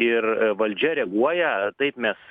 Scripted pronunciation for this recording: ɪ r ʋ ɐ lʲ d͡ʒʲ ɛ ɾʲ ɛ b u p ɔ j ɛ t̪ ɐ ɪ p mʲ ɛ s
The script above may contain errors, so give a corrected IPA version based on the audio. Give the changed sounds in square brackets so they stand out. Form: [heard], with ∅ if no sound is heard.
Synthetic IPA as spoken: ɪ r ʋ ɐ lʲ d͡ʒʲ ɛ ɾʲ ɛ [ɡ] u [∅] ɔ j ɛ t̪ ɐ ɪ p mʲ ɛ s